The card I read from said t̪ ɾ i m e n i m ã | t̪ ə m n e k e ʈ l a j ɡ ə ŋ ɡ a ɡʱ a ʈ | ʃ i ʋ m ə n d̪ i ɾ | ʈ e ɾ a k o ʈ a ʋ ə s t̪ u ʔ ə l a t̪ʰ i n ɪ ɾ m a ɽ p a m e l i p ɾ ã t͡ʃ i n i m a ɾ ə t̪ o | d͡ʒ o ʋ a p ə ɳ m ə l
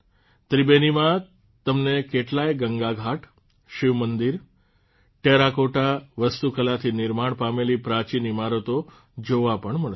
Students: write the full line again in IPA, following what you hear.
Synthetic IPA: t̪ ɾ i b e n i m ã | t̪ ə m n e k e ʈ l a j ɡ ə ŋ ɡ a ɡʱ a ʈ | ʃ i ʋ m ə n d̪ i ɾ | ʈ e ɾ a k o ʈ a ʋ ə s t̪ u k ə l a t̪ʰ i n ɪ ɾ m a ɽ p a m e l i p ɾ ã t͡ʃ i n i m a ɾ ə t̪ o | d͡ʒ o ʋ a p ə ɳ m ə ɭ